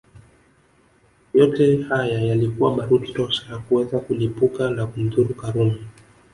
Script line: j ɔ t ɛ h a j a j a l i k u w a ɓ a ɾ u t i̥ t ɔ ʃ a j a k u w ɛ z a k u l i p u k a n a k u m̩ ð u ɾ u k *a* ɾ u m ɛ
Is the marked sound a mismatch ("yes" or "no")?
no